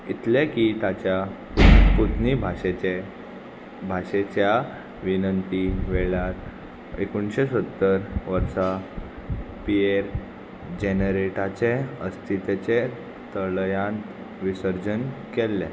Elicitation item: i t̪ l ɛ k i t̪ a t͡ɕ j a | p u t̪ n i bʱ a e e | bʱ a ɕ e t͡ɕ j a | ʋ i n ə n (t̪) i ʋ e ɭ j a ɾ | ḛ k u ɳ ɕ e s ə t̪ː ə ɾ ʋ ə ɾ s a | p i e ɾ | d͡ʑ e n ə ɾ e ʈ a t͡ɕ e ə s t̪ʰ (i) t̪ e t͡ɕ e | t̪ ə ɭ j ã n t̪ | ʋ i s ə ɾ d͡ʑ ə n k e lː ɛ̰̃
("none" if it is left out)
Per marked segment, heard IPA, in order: t̪, i

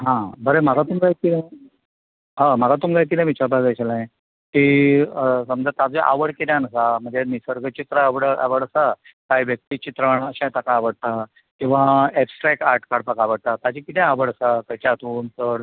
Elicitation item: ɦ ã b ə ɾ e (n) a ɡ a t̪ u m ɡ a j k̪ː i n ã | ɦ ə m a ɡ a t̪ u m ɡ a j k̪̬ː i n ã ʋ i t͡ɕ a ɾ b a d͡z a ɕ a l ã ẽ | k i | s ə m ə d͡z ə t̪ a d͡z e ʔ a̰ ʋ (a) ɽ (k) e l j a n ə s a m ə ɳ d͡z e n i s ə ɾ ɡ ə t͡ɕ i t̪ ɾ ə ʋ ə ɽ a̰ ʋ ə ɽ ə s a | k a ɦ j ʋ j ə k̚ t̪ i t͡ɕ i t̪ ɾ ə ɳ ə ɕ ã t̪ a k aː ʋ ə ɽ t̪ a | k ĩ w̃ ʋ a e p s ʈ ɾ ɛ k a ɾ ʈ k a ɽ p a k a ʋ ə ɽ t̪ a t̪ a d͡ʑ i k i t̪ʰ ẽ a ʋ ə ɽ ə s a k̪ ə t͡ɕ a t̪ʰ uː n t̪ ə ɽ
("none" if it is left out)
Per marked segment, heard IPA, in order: m, ə, k

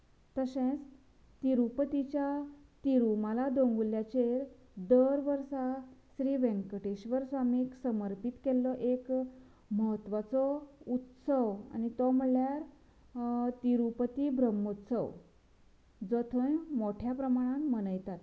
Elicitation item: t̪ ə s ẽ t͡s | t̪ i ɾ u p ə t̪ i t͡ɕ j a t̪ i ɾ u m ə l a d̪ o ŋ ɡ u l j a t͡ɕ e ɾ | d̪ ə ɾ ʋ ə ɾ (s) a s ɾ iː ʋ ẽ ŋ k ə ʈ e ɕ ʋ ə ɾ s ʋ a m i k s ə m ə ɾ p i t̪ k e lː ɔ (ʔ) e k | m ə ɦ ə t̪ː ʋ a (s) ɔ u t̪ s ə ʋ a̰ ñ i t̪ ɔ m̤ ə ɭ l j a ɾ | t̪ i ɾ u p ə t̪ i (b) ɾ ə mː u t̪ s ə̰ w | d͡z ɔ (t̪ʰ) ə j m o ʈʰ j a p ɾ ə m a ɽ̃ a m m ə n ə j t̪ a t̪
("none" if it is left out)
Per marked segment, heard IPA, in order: s, ʔ, t͡s, b, t̪ʰ

